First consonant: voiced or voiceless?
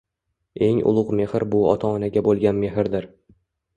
voiced